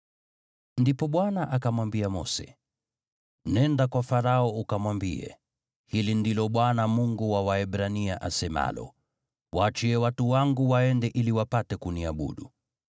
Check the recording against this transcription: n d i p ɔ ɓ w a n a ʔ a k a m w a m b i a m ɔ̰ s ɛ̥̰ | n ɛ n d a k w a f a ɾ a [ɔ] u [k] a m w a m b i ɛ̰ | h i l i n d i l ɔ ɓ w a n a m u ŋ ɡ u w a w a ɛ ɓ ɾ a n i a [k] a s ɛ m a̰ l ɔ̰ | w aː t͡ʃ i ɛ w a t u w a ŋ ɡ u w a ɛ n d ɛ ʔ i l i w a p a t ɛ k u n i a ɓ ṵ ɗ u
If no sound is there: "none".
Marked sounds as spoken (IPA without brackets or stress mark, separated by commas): ɔ, k, ʔ